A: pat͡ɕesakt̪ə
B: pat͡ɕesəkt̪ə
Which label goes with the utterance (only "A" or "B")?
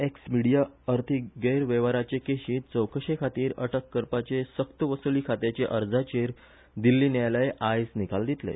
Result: B